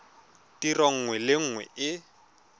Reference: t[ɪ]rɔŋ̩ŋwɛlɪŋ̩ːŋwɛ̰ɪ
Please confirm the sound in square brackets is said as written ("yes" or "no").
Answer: no